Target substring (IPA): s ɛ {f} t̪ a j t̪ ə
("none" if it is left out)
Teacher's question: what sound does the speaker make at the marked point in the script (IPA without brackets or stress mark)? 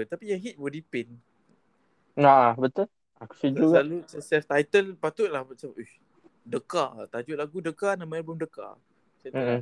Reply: f